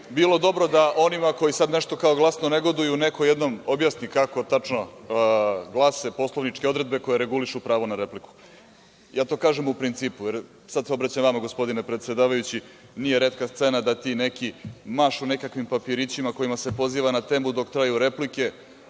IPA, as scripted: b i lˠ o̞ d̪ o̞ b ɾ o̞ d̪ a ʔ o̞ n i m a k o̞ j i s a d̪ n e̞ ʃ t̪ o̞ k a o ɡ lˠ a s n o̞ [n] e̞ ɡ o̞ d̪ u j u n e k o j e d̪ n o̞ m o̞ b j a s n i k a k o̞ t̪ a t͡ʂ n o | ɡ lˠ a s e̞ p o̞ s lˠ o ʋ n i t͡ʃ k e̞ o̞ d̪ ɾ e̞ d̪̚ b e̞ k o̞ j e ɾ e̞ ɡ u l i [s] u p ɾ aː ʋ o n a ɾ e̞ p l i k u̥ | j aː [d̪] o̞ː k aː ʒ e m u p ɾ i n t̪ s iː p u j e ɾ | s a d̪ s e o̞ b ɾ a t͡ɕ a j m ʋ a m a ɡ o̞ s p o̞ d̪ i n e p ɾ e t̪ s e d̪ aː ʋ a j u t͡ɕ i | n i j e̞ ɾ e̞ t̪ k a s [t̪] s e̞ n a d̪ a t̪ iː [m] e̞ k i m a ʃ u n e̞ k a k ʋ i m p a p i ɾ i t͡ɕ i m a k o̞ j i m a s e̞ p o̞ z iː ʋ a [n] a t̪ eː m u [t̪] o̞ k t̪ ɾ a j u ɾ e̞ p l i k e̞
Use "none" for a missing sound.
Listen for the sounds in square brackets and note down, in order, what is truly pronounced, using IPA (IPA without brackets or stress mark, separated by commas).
n, ʃ, t̪, t̪, n, n, d̪